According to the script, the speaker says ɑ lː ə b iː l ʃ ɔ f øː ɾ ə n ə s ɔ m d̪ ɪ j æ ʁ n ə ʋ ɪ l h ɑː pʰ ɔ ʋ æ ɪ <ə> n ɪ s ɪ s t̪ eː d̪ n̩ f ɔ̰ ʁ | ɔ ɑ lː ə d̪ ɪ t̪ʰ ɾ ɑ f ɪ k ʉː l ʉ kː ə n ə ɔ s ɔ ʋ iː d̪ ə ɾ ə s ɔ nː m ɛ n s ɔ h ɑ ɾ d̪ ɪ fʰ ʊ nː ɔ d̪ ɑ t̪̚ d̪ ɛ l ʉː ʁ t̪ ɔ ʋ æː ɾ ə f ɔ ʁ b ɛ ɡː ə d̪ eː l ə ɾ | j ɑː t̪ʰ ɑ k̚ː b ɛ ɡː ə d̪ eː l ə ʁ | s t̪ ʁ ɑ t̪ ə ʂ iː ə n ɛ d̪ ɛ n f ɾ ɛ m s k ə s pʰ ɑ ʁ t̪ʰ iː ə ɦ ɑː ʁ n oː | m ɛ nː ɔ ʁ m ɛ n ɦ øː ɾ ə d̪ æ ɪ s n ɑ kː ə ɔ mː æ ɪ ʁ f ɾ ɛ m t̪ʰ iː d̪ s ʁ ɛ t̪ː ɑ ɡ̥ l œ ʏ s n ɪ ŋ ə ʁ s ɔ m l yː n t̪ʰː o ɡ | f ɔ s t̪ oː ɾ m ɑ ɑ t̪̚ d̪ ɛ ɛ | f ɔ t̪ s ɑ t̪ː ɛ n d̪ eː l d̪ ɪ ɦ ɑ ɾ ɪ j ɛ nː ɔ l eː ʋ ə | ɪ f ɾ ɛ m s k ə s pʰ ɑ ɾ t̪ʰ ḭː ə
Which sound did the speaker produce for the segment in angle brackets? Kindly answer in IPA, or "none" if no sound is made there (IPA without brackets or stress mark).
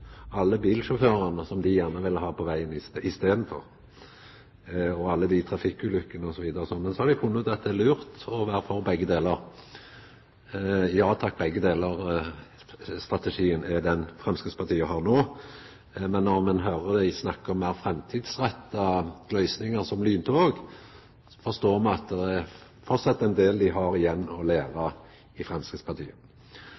ə